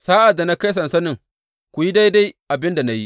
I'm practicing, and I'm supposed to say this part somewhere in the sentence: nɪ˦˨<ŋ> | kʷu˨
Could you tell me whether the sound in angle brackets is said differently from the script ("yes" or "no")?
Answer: no